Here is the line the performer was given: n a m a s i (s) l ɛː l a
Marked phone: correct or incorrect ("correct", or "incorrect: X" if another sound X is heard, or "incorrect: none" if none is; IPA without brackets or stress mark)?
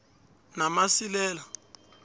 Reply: incorrect: none